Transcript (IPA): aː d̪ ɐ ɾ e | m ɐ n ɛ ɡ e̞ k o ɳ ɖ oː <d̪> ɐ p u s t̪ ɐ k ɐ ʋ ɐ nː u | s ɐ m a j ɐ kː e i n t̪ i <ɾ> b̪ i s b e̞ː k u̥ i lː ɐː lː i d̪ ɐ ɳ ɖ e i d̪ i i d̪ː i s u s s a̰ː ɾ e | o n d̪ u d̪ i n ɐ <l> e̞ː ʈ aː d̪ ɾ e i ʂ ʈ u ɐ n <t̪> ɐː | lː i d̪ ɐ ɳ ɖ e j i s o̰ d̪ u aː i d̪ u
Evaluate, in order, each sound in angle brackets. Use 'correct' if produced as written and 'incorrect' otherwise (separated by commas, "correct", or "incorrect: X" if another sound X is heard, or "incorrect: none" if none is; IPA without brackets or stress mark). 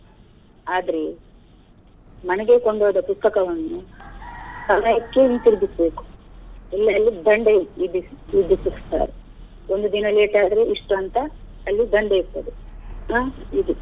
correct, correct, correct, correct